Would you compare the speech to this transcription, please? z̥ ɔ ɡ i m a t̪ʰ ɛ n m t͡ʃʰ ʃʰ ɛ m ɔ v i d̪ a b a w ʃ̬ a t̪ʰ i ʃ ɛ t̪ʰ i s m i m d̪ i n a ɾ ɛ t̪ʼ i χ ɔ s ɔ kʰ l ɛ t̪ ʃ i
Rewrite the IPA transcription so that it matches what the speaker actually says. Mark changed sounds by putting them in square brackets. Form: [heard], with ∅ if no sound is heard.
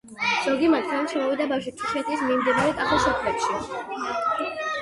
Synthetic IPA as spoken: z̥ ɔ ɡ i m a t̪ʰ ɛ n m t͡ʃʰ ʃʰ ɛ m ɔ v i d̪ a b a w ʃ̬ [i] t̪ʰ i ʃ ɛ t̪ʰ i s m i m d̪ i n a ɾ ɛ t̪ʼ [a] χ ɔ s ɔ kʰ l ɛ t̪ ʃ i